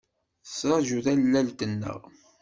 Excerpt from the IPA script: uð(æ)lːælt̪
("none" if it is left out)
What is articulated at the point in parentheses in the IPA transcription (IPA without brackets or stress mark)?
æ